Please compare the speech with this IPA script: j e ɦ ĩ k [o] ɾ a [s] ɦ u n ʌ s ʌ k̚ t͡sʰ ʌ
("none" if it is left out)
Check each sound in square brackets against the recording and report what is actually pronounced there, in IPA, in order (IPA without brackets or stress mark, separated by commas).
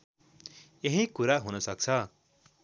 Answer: u, none